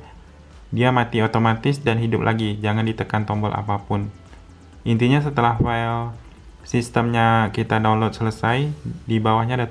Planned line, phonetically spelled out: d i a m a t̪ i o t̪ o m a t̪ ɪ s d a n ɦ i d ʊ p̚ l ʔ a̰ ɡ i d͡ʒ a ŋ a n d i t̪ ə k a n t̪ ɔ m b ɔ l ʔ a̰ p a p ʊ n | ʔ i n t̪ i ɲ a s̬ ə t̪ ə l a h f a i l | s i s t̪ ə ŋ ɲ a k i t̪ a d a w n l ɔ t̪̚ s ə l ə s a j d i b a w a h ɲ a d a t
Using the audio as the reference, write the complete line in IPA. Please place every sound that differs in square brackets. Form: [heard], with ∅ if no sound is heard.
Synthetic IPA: d i a m a t̪ i o t̪ o m a t̪ ɪ s d a n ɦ i d ʊ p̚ l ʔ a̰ ɡ i d͡ʒ a ŋ a n d i t̪ ə k a n t̪ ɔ m b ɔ l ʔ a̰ p a p ʊ n | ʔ i n t̪ i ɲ a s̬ ə t̪ ə l a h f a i l | s i s t̪ ə [m] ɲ a k i t̪ a d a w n l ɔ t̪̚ s ə l ə s a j d i b a w a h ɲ a d a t